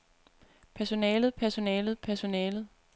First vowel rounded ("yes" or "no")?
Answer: no